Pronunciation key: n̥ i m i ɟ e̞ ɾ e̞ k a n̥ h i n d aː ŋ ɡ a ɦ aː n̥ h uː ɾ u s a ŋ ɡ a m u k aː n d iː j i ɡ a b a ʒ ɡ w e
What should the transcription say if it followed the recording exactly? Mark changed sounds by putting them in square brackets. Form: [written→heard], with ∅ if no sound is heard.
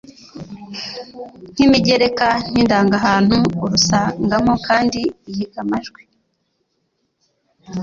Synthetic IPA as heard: n̥ i m i ɟ e̞ ɾ e̞ k a n̥ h i n d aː ŋ ɡ a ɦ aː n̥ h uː ɾ u s a ŋ ɡ a m [u→o] k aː n d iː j i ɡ a [b→m] a ʒ ɡ w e